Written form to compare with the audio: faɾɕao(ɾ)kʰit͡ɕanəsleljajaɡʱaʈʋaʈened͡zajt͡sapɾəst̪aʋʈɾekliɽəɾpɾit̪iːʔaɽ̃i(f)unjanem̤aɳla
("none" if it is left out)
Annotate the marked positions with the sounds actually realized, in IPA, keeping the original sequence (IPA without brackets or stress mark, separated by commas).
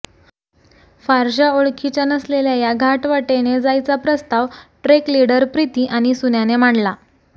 ɭ, s